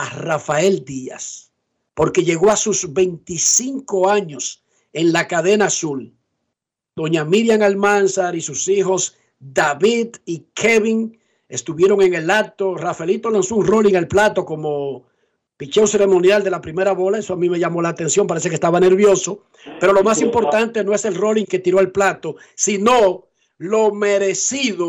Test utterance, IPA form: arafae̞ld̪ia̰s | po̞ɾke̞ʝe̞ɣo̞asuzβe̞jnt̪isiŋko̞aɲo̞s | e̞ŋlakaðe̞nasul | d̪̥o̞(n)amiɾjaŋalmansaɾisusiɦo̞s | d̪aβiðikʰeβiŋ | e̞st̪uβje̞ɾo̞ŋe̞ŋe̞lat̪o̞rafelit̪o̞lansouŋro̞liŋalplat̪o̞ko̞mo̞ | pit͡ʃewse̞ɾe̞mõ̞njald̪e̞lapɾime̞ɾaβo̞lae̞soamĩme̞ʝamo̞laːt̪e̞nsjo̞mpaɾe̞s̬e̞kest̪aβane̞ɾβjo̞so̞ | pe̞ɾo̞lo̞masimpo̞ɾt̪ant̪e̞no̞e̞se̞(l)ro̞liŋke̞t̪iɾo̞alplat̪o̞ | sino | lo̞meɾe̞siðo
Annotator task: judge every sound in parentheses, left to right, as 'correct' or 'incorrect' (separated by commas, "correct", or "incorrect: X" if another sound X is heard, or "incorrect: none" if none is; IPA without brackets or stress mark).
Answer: incorrect: ɲ, correct